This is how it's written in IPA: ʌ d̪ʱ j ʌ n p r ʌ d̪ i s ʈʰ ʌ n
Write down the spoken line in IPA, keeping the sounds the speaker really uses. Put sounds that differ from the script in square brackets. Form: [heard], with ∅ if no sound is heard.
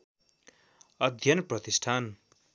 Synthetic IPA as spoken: ʌ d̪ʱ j ʌ n p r ʌ [t̪] i s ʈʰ [a] n